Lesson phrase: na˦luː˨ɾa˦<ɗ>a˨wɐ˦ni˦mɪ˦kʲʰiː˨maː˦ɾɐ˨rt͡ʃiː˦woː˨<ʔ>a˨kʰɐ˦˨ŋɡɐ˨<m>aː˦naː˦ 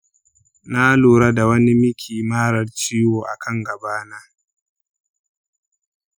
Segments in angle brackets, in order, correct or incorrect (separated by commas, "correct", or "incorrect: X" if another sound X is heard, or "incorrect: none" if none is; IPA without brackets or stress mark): incorrect: d, correct, incorrect: b